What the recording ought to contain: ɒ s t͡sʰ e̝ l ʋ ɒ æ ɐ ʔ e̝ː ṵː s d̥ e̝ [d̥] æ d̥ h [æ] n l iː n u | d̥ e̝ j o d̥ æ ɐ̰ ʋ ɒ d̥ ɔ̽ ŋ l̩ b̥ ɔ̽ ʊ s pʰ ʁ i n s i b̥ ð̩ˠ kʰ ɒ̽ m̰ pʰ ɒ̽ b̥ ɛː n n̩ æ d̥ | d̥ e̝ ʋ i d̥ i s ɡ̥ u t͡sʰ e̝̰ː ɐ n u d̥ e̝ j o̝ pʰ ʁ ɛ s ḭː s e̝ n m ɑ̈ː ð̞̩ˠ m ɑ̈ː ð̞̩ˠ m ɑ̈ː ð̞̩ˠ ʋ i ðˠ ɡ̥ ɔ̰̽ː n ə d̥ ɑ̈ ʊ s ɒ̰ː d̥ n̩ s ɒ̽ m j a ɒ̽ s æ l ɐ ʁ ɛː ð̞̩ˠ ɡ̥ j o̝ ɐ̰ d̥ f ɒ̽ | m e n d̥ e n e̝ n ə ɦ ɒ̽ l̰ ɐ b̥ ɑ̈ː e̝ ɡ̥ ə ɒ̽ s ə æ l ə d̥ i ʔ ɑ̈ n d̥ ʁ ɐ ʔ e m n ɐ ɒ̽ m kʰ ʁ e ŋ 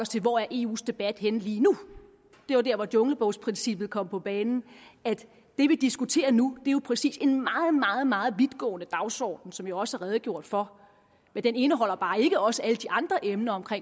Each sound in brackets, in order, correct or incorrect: incorrect, incorrect

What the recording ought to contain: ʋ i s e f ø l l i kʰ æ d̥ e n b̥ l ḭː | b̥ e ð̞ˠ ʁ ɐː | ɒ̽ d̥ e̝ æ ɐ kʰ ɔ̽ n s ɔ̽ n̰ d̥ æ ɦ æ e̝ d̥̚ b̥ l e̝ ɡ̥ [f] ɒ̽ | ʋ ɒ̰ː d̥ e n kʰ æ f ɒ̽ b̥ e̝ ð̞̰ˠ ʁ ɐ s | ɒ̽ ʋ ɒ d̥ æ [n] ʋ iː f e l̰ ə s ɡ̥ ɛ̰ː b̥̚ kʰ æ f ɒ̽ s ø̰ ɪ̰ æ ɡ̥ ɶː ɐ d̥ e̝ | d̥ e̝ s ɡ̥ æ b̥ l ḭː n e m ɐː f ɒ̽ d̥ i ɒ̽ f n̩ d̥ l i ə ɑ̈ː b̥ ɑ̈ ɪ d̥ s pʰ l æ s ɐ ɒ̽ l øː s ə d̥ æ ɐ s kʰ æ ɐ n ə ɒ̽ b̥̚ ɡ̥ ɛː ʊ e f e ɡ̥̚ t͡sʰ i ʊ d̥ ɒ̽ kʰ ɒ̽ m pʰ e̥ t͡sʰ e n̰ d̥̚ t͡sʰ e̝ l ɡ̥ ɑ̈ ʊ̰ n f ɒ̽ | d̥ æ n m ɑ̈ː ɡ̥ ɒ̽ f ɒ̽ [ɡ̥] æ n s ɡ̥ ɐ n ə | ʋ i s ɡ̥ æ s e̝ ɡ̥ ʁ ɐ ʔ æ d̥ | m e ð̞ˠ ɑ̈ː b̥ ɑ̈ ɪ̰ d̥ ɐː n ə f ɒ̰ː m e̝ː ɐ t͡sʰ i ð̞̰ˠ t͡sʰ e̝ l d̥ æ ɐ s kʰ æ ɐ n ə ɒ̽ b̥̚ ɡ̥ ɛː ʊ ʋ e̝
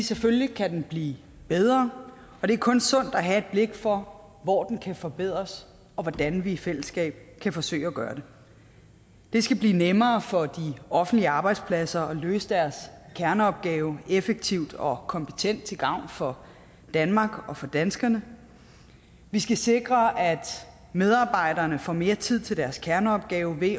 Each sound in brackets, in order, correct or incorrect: correct, correct, incorrect

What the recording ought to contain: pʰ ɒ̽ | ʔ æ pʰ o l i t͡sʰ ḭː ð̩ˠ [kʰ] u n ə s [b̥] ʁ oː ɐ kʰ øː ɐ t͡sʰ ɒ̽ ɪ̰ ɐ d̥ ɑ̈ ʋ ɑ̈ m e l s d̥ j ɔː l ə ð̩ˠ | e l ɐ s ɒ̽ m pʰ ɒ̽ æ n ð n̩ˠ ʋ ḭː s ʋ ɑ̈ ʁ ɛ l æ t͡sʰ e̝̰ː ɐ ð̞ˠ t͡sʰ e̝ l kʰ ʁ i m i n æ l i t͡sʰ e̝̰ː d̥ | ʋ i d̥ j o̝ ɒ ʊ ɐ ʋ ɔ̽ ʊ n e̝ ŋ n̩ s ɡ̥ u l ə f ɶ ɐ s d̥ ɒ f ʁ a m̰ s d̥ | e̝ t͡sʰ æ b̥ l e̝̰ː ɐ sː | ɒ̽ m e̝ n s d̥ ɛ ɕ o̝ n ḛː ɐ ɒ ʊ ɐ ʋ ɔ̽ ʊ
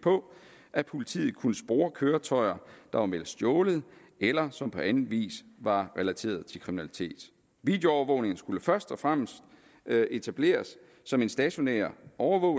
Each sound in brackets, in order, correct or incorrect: correct, correct

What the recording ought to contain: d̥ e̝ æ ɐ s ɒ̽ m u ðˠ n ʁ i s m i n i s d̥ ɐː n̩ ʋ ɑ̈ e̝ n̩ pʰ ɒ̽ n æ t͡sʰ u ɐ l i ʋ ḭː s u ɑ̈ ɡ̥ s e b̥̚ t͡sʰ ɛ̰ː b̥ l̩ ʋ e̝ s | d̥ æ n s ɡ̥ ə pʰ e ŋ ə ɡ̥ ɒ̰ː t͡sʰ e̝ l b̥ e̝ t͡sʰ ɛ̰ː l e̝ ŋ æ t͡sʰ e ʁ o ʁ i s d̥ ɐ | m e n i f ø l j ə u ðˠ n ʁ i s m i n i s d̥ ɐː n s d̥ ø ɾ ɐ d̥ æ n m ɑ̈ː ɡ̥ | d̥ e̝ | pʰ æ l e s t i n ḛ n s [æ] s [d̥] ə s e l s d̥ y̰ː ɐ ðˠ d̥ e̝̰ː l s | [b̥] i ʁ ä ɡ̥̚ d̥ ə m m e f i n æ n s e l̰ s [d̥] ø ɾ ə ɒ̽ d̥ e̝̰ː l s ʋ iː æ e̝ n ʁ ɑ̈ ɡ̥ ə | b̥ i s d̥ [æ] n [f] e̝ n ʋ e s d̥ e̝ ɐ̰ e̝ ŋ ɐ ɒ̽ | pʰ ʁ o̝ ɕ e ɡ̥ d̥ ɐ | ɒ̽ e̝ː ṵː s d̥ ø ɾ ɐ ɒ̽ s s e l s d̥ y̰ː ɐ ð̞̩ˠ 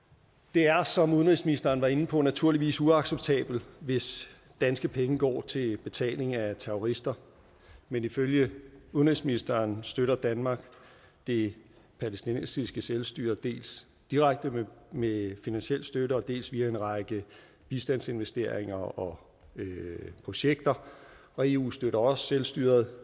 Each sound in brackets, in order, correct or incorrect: incorrect, incorrect, incorrect, correct, correct, incorrect

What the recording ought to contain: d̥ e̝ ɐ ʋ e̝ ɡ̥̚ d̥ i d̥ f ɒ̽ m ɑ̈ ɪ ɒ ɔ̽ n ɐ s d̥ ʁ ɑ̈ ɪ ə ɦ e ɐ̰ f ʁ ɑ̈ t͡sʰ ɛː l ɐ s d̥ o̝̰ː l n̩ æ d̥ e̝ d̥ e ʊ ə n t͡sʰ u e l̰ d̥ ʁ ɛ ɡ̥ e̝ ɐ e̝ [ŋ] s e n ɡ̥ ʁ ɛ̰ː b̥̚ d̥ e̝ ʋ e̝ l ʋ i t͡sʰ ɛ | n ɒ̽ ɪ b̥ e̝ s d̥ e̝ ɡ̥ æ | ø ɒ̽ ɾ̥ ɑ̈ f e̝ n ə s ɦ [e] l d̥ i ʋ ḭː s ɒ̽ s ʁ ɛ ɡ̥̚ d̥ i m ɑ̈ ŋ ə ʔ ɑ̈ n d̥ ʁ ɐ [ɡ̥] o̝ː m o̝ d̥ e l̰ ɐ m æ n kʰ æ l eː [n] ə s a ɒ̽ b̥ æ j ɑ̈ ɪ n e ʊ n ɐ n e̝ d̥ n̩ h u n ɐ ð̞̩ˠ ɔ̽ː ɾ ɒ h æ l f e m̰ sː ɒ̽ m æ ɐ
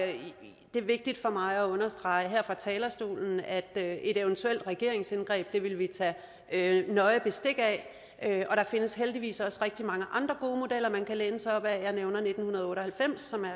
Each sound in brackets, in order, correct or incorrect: correct, correct, correct, correct

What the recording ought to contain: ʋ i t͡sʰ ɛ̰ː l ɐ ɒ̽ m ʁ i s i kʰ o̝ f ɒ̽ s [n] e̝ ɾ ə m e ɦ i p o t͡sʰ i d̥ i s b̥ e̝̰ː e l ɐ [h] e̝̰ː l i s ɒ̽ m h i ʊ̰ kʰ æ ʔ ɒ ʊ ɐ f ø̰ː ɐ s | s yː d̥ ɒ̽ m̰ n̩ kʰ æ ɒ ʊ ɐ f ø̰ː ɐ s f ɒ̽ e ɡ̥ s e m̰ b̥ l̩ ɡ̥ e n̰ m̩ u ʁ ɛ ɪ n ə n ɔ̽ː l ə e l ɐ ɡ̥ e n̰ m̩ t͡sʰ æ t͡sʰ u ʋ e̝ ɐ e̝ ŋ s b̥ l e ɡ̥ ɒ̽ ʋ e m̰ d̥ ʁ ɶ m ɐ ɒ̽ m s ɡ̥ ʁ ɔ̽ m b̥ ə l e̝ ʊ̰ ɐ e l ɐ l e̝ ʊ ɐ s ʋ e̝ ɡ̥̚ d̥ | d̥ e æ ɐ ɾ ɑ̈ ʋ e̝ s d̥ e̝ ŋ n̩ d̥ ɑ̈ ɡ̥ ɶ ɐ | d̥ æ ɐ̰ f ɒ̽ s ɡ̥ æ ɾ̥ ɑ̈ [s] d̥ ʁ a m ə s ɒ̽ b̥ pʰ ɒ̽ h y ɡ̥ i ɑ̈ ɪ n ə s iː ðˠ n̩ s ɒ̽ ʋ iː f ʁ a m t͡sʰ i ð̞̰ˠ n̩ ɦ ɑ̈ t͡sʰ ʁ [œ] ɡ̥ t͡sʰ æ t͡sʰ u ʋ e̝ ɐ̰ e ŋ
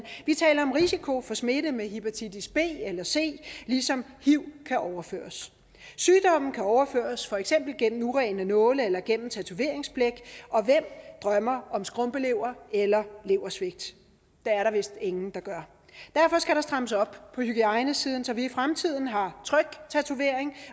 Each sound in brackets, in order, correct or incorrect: incorrect, incorrect, correct, correct

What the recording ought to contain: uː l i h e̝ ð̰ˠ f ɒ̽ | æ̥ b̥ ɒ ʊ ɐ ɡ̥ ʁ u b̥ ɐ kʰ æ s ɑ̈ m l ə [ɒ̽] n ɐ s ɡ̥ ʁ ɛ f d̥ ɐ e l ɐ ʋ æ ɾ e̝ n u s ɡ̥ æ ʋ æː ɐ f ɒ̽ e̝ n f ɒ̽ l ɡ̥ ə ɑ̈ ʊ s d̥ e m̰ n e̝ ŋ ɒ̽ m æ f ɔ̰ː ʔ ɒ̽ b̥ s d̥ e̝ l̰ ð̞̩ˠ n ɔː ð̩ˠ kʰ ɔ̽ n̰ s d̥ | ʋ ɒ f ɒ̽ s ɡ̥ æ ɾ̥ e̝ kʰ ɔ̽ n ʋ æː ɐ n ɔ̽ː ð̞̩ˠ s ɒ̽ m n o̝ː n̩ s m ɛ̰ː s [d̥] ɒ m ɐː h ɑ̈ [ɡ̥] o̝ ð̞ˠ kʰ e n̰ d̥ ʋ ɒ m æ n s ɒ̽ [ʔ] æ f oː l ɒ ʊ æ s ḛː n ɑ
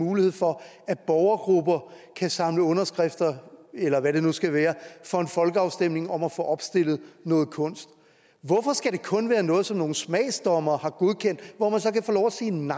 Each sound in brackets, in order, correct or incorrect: incorrect, correct, correct, incorrect

